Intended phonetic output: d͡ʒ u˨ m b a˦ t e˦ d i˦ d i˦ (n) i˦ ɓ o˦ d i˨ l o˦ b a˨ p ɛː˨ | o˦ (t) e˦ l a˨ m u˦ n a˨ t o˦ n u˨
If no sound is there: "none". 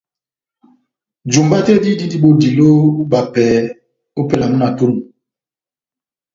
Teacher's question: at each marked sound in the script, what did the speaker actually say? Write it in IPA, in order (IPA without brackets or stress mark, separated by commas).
d, p